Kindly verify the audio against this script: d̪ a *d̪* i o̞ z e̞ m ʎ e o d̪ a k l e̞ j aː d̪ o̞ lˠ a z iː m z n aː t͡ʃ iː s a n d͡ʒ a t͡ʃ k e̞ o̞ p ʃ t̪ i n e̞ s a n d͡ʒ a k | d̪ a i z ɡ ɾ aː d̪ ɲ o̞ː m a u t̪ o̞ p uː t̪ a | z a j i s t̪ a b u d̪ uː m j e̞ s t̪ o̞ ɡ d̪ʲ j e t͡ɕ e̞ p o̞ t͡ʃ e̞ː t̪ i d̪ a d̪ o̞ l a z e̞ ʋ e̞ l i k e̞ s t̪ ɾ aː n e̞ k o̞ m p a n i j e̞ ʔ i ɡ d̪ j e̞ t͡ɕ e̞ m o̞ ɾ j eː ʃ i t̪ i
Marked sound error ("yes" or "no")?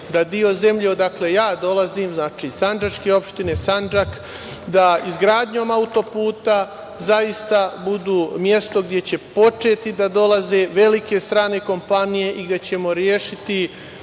no